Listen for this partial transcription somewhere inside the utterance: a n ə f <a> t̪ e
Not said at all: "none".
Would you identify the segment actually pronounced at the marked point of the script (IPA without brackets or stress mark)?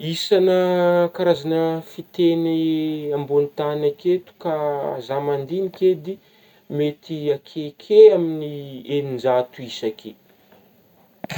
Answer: i